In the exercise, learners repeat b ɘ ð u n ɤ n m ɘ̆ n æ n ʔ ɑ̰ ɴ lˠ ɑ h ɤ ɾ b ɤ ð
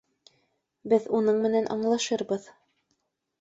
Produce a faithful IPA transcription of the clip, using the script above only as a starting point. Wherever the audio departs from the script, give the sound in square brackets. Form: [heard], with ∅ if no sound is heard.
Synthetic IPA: b ɘ ð u n ɤ [ɴ] m ɘ̆ n æ n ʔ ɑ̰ ɴ lˠ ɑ [ʃ] ɤ ɾ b ɤ ð